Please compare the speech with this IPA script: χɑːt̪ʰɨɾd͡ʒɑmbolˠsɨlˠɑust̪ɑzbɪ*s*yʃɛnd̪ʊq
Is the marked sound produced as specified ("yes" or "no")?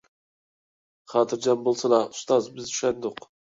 no